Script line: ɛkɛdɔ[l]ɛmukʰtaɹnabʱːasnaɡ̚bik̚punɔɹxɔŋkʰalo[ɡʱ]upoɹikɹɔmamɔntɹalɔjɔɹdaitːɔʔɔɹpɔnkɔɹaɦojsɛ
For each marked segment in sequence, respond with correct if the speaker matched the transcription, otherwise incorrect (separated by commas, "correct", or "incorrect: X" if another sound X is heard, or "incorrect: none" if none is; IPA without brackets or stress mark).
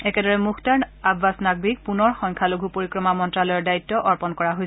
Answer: incorrect: ɹ, correct